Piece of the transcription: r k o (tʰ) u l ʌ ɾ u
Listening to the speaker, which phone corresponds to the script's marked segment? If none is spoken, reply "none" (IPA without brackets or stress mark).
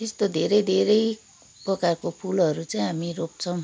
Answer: pʰ